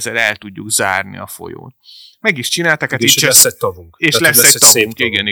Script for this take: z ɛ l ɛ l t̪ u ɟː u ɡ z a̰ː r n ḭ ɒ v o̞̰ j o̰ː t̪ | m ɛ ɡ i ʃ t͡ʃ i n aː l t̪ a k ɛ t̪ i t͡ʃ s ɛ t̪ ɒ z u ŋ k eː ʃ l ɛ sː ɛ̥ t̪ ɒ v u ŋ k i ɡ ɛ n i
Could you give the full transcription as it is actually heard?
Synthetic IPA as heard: z ɛ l ɛ l t̪ u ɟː u ɡ z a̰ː r n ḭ ɒ f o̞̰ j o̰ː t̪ | m ɛ ɡ i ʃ t͡ʃ i n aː l t̪ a k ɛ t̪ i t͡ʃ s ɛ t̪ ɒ v u ŋ k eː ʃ l ɛ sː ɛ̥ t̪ ɒ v u ŋ k i ɡ ɛ n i